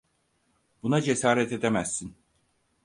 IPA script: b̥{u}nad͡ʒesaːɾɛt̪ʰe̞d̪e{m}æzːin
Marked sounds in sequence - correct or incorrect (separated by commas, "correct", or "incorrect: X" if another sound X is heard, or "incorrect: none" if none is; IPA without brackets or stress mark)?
correct, correct